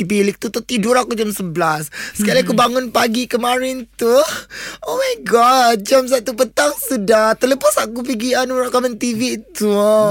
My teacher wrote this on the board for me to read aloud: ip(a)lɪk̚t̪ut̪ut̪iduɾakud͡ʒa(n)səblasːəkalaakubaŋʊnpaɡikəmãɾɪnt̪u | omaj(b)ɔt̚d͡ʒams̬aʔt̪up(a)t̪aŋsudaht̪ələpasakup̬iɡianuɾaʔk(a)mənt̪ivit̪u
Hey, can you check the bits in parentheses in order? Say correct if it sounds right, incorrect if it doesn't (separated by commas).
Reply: incorrect, incorrect, incorrect, incorrect, correct